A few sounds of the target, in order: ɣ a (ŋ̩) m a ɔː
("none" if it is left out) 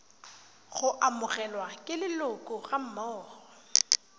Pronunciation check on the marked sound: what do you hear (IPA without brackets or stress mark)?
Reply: m̩